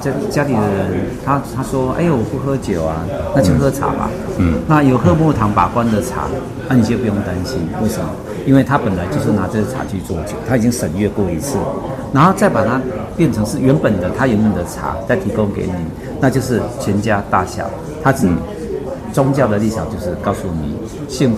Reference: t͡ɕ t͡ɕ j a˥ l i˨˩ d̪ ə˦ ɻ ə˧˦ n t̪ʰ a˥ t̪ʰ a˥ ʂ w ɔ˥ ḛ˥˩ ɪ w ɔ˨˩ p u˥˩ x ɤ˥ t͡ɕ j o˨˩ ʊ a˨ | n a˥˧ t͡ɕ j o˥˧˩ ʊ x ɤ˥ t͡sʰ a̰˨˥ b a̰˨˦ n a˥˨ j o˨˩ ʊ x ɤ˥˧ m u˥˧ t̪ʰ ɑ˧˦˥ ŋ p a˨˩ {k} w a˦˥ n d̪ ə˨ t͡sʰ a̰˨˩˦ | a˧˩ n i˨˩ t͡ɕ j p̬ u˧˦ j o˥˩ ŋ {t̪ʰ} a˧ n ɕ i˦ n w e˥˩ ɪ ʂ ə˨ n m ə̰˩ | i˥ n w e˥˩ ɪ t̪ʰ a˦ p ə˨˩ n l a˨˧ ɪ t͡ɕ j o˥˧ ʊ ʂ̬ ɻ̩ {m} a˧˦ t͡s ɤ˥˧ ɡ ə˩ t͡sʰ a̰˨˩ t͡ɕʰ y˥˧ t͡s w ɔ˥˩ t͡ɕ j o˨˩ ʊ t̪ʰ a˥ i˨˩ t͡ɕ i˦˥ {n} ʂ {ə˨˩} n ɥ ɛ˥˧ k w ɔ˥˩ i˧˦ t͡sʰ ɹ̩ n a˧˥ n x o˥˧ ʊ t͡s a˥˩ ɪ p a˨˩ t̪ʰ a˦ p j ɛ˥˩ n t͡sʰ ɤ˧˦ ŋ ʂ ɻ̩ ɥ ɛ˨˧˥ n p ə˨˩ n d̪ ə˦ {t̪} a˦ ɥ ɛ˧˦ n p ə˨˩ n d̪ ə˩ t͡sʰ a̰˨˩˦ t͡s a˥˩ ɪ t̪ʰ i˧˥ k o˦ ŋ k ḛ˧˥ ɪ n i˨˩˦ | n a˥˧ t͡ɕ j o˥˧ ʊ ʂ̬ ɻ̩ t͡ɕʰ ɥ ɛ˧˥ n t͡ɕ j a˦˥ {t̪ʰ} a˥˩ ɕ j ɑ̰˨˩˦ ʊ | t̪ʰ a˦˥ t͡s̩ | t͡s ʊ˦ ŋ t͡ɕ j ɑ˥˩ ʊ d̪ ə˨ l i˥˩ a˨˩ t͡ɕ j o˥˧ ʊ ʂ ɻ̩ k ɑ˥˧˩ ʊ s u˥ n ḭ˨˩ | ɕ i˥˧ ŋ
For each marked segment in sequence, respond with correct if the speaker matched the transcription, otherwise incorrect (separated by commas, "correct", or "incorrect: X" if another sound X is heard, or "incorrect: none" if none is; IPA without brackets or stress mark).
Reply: correct, incorrect: t̪, incorrect: n, incorrect: ŋ, correct, incorrect: t̪ʰ, incorrect: t̪